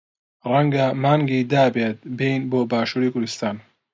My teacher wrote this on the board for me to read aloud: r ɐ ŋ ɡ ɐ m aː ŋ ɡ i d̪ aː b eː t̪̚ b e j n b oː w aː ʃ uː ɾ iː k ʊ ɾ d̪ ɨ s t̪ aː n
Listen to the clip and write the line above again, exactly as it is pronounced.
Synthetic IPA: r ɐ ŋ ɡ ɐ m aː ŋ ɡ i d̪ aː b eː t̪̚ b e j n b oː b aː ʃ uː ɾ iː k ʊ ɾ d̪ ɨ s t̪ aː n